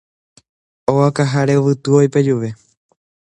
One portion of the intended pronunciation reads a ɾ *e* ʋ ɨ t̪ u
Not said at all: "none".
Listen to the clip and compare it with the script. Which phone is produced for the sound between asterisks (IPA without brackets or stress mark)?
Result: e